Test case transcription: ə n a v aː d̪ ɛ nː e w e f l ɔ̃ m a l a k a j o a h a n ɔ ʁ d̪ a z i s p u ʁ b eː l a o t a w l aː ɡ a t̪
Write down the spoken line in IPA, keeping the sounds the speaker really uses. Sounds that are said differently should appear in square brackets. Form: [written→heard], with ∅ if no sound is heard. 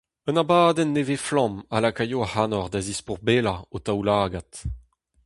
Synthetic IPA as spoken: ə n a [v→b] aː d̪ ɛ nː e [w→v] e f l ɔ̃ m a l a k a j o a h a n ɔ ʁ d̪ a z i s p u ʁ b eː l a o t a w l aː ɡ a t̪